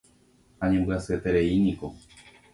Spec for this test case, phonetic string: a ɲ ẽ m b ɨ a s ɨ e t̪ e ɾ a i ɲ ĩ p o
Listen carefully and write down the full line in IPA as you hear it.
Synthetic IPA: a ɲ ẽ m b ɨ a s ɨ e t̪ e ɾ e i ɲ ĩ k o